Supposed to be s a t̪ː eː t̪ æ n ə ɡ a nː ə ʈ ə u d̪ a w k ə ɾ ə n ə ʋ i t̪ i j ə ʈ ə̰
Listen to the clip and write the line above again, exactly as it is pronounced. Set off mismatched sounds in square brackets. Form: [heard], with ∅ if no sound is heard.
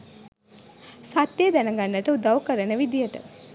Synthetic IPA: s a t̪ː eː [d̪] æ n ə ɡ a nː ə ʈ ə u d̪ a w k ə ɾ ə n ə ʋ i [d̪] i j ə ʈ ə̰